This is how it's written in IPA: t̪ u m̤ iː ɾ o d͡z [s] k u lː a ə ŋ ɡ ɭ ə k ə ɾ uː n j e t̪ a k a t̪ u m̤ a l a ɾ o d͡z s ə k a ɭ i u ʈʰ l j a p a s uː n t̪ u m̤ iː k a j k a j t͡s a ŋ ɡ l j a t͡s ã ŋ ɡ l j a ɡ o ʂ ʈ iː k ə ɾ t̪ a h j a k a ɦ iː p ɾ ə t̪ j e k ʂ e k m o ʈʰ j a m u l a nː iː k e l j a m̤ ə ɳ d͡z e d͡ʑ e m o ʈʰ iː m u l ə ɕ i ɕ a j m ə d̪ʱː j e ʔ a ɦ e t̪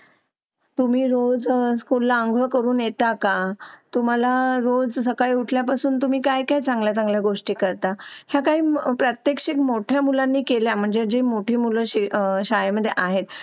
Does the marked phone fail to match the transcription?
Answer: no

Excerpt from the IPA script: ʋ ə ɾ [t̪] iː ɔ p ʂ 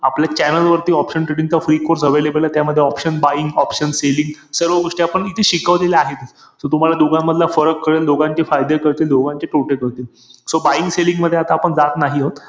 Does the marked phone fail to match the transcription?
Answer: no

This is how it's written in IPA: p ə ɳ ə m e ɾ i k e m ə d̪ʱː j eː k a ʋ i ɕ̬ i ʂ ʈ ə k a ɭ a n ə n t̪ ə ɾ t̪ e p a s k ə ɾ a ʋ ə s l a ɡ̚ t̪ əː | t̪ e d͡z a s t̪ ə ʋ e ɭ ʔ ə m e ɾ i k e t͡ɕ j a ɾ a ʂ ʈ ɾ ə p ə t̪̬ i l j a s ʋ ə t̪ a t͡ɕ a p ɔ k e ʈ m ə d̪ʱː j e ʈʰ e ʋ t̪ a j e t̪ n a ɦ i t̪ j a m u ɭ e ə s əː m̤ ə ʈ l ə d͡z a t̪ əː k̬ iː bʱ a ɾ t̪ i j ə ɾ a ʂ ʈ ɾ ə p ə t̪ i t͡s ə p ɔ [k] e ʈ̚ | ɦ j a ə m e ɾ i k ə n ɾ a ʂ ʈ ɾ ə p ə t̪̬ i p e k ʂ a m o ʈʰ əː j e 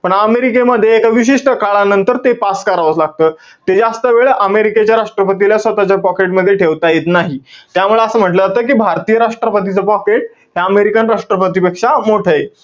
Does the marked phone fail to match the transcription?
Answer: no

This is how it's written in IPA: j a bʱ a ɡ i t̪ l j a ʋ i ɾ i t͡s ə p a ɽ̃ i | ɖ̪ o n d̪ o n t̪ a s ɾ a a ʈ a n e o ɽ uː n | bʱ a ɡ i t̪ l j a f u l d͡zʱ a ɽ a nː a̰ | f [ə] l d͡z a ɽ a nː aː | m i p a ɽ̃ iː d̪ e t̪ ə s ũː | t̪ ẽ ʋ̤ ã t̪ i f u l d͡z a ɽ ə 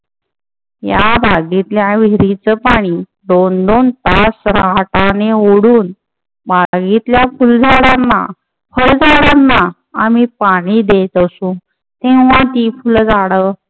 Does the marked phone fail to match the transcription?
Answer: no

